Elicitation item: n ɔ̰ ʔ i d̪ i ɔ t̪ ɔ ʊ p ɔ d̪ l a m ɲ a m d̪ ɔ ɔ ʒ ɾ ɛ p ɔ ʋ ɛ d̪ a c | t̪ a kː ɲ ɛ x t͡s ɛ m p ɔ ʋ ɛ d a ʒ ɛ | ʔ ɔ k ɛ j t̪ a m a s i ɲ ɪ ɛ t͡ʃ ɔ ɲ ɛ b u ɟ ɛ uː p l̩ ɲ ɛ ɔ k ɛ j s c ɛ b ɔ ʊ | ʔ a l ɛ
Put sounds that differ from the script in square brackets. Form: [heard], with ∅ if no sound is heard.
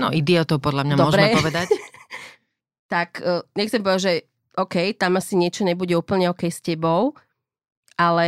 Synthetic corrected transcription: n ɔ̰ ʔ i d̪ i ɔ t̪ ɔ ʊ p ɔ d̪ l a m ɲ a m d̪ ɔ ɔ ʒ ɾ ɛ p ɔ ʋ ɛ d̪ a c | t̪ a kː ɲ ɛ x t͡s ɛ m p ɔ ʋ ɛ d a ʒ ɛ | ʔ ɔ k ɛ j t̪ a m a s i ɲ ɪ ɛ t͡ʃ ɔ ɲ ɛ b u ɟ ɛ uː p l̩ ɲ ɛ ɔ k ɛ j s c ɛ b ɔ ʊ | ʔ a l ɛ